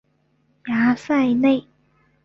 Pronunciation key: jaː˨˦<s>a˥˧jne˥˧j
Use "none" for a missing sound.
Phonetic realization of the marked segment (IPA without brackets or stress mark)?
s